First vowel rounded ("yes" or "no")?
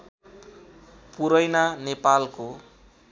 yes